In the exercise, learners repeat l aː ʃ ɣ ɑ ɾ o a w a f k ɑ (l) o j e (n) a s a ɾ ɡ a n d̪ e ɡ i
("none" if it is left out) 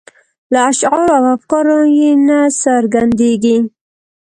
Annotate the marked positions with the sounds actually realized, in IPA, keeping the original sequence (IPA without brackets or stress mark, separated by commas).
ɾ, n